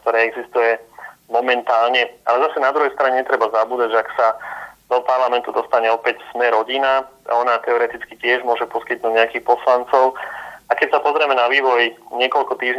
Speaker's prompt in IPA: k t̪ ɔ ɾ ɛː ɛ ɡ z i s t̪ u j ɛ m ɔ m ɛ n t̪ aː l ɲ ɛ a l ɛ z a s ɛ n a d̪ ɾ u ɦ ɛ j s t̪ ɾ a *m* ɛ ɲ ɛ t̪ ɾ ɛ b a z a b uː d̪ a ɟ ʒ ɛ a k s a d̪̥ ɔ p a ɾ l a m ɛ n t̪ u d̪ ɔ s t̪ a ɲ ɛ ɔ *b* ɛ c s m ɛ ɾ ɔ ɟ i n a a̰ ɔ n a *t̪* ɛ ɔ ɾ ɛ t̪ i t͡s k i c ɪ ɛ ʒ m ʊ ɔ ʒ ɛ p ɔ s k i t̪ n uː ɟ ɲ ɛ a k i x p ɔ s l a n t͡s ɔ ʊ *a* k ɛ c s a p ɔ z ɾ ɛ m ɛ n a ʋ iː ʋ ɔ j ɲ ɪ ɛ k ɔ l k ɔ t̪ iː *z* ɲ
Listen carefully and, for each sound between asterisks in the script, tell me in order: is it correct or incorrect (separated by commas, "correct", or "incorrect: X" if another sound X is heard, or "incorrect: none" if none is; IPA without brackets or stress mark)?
incorrect: ɲ, incorrect: p, correct, correct, incorrect: ʒ